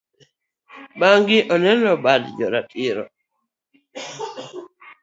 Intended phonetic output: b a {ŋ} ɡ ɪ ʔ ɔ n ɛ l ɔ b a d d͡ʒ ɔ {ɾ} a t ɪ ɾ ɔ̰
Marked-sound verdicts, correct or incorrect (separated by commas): correct, correct